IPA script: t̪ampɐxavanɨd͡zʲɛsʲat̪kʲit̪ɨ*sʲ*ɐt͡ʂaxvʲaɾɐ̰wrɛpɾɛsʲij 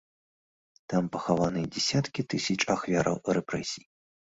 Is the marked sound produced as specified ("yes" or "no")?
yes